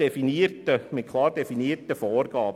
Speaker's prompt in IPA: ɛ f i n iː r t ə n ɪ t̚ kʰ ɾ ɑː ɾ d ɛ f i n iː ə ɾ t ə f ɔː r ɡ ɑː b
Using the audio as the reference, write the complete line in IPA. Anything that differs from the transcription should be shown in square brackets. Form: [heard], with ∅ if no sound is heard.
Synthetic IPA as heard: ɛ f i n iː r t ə [m] ɪ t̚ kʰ [l] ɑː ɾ d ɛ f i n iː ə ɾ t ə f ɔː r ɡ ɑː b